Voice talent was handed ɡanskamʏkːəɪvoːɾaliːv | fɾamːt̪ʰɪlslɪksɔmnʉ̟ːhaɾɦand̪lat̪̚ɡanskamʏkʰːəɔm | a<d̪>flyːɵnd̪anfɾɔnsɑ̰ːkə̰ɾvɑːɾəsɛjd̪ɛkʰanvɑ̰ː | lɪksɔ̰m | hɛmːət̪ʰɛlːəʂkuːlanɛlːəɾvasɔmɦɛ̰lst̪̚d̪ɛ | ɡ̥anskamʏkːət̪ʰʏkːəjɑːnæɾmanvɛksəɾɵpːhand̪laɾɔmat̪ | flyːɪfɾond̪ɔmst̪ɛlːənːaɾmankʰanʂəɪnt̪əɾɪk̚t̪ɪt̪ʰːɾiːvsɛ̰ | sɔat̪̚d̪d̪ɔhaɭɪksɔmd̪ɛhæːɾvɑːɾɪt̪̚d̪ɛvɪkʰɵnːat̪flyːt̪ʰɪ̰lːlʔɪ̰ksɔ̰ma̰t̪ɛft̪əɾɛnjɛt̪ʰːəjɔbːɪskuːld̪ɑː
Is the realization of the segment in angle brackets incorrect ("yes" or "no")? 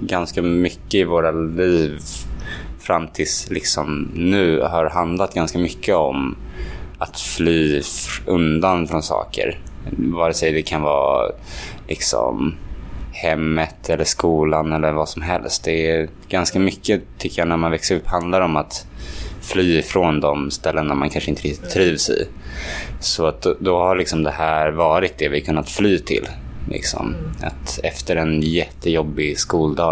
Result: yes